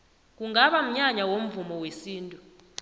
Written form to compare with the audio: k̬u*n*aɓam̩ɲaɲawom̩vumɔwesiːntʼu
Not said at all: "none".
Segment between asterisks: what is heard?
ŋ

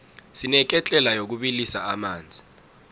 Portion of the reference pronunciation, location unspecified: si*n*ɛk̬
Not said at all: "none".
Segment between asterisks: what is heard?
n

